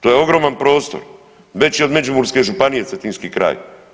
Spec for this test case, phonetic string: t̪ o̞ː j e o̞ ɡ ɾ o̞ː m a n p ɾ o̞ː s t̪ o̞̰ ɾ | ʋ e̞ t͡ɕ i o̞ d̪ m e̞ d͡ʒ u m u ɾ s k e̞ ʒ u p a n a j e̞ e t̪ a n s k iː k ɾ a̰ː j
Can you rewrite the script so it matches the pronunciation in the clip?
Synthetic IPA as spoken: t̪ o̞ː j e o̞ ɡ ɾ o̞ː m a n p ɾ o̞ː s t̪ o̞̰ ɾ | ʋ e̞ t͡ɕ i o̞ d̪ m e̞ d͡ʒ u m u ɾ s k e̞ ʒ u p a n i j e̞ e t̪ i n s k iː k ɾ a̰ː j